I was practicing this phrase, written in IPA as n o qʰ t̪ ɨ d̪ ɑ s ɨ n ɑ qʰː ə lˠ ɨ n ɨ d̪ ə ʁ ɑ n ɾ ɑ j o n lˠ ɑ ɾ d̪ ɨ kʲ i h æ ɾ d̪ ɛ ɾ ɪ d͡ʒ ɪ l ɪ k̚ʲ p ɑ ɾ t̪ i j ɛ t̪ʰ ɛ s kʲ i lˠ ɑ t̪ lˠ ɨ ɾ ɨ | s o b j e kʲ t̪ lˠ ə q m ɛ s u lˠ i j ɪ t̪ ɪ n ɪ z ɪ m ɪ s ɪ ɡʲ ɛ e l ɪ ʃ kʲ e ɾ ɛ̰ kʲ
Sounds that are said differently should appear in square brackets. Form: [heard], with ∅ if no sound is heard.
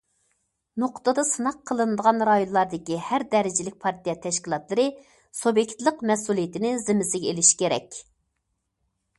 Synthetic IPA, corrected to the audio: n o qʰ t̪ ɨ d̪ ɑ s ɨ n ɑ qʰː ə lˠ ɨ n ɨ d̪ ə ʁ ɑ n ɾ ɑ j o n lˠ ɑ ɾ d̪ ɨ kʲ i h æ ɾ d̪ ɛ ɾ ɪ d͡ʒ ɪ l ɪ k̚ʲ [pʰ] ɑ ɾ t̪ i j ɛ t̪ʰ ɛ [ʃ] kʲ i lˠ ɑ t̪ lˠ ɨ ɾ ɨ | s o b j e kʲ t̪ lˠ ə q m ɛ s u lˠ i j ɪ t̪ ɪ n ɪ z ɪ m ɪ s ɪ ɡʲ ɛ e l ɪ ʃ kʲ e ɾ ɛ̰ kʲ